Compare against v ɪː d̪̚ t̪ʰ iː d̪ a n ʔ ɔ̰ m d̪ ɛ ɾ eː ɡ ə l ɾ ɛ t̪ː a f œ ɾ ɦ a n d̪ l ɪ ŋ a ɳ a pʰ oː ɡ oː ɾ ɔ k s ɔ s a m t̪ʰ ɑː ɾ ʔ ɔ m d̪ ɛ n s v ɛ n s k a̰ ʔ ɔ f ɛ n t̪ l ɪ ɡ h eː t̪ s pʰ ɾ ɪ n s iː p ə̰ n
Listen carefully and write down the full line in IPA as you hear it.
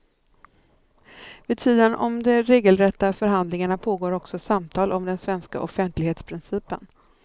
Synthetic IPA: v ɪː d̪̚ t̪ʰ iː d̪ ə n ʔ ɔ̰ m d̪ ɛ ɾ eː ɡ ə l ɾ ɛ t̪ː a f œ ɾ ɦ a n d̪ l ɪ ŋ a ɳ a pʰ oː ɡ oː ɾ ɔ k s ɔ s a m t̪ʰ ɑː l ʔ ɔ m d̪ ɛ n s v ɛ n s k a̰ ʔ ɔ f ɛ n t̪ l ɪ ɡ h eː t̪ s pʰ ɾ ɪ n s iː p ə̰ n